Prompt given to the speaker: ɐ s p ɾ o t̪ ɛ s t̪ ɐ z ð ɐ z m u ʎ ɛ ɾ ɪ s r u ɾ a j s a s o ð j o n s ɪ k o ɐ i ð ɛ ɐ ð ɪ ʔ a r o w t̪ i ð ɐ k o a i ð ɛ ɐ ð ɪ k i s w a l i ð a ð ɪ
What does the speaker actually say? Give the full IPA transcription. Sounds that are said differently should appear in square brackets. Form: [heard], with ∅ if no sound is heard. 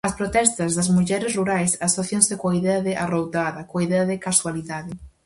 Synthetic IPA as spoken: ɐ s p ɾ o t̪ ɛ s t̪ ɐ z ð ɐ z m u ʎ ɛ ɾ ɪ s r u ɾ a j s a s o [θ] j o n s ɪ k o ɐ i ð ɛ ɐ ð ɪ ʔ a r o w t̪ [a] ð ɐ k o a i ð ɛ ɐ ð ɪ k [a] s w a l i ð a ð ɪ